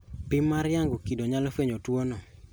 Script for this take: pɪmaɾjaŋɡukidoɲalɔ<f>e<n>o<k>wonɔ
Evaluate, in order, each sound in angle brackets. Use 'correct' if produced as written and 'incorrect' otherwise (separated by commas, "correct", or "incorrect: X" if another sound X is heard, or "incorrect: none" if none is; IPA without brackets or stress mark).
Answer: correct, incorrect: ɲ, incorrect: t